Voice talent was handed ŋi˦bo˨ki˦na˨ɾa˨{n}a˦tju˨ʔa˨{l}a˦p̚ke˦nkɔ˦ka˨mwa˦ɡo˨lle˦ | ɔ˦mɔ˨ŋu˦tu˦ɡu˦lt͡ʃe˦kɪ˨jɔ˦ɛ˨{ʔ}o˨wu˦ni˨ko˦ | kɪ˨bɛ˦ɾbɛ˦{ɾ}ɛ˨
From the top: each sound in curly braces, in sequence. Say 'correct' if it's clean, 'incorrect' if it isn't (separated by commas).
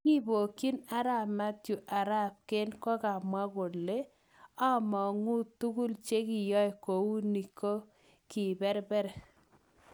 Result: incorrect, incorrect, incorrect, correct